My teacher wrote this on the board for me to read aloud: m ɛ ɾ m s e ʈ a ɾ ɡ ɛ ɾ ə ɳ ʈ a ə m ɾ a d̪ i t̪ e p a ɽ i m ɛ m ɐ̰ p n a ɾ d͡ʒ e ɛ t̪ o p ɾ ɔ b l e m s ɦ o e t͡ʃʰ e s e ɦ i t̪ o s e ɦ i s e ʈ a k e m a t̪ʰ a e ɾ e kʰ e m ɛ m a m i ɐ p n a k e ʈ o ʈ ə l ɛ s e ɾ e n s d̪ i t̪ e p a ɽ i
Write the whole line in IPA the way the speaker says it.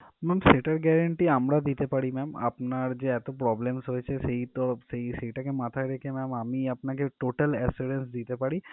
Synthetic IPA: m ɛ m s e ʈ a ɾ ɡ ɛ ɾ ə ɳ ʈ i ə m ɾ a d̪ i t̪ e p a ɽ i m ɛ m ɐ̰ p n a ɾ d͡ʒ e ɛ t̪ o p ɾ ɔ b l e m s ɦ o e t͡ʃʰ e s e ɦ i t̪ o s e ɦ i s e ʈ a k e m a t̪ʰ a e ɾ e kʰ e m ɛ m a m i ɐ p n a k e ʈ o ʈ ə l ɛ s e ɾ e n s d̪ i t̪ e p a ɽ i